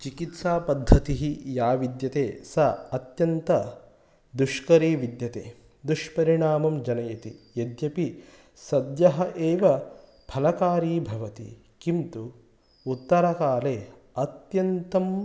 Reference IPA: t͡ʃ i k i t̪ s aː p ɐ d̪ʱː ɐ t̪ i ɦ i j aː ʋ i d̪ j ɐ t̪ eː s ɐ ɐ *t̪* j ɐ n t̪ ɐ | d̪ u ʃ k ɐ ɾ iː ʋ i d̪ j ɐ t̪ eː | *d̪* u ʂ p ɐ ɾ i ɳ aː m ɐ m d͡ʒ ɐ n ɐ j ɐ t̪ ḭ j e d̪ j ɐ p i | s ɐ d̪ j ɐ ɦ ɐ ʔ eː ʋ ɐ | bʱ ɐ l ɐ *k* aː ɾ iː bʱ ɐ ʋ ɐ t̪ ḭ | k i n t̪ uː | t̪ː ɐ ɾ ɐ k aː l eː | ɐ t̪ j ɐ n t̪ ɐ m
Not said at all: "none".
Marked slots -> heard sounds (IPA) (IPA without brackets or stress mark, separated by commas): t̪, d̪, k